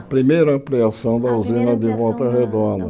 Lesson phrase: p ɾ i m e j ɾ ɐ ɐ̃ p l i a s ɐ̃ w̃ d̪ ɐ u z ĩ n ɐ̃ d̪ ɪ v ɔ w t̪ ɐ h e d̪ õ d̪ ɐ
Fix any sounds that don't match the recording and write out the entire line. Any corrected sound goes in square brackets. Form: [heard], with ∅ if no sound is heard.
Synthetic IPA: p ɾ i m e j ɾ ɐ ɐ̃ p l i a s ɐ̃ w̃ d̪ ɐ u z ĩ n [ɐ] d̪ ɪ v ɔ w t̪ ɐ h e d̪ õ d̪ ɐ